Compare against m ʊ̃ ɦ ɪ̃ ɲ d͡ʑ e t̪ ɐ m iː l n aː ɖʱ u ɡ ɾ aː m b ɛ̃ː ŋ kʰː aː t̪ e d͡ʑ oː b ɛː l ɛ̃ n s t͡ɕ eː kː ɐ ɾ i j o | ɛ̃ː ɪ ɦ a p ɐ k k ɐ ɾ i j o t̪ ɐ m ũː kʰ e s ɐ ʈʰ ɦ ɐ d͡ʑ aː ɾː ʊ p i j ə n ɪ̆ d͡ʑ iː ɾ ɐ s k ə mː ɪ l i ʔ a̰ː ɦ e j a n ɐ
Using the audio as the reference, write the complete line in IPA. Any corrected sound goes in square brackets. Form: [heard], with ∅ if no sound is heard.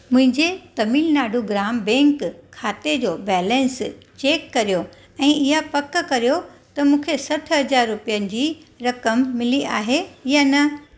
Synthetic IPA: m ʊ̃ ɦ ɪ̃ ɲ d͡ʑ e t̪ ɐ m iː l n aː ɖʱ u ɡ ɾ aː m b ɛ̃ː ŋ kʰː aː t̪ e d͡ʑ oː b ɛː l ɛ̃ n s t͡ɕ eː kː ɐ ɾ i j o | ɛ̃ː ɪ ɦ a p ɐ k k ɐ ɾ i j o t̪ ɐ m ũː kʰ e s ɐ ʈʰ ɦ ɐ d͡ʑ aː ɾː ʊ p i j ə n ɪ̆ d͡ʑ iː ɾ ɐ [∅] k ə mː ɪ l i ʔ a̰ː ɦ e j a n ɐ

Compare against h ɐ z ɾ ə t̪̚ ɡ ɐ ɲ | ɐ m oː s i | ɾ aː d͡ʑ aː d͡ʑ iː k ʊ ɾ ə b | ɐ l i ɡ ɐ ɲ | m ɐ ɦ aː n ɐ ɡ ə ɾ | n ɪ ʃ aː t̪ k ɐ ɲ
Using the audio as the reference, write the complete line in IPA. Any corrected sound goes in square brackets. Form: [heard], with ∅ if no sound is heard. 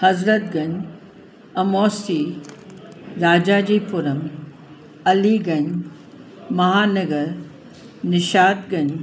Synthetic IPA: h ɐ z ɾ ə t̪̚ ɡ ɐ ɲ | ɐ m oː s i | ɾ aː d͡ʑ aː d͡ʑ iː [p] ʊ ɾ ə [m] | ɐ l i ɡ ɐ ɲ | m ɐ ɦ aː n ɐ ɡ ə ɾ | n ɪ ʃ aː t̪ [ɡ] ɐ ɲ

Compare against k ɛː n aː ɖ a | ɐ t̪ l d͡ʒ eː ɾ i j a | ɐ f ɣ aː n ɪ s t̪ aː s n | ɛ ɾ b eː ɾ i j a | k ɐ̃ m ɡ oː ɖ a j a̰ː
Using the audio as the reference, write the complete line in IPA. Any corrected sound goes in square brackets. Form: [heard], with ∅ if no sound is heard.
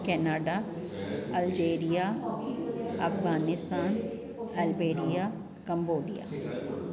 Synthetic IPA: k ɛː n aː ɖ a | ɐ [∅] l d͡ʒ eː ɾ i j a | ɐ f ɣ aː n ɪ s t̪ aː [∅] n | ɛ [l] b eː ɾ i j a | k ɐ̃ m [b] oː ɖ [i] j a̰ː

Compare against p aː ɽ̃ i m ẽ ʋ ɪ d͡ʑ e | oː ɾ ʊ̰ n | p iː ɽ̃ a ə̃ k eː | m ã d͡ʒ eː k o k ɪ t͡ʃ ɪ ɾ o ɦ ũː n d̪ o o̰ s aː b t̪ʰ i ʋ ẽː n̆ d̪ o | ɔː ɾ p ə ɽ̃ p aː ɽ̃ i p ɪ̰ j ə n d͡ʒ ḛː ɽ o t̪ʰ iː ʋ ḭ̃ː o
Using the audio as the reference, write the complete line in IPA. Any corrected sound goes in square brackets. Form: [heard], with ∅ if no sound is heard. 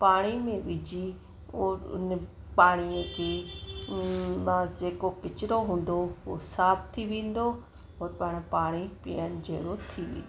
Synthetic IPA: p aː ɽ̃ i m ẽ ʋ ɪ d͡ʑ [i] | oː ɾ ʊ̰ n | p [aː] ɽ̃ [i] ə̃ k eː | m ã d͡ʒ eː k o k ɪ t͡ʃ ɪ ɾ o ɦ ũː n d̪ o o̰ s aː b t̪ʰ i ʋ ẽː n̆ d̪ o | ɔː ɾ p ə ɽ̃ p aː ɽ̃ i p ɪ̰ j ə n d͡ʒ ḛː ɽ o t̪ʰ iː ʋ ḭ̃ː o

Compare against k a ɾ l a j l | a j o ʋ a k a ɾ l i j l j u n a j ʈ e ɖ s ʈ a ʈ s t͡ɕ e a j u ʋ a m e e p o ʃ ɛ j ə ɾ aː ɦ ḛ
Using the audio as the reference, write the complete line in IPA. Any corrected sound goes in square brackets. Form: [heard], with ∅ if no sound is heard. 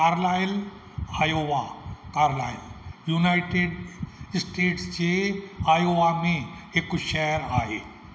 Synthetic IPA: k a ɾ l a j l | a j o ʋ a k a ɾ l [a] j l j u n a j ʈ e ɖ s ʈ [e] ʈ s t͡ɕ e a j [o] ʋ a m e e [k] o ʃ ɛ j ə ɾ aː ɦ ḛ

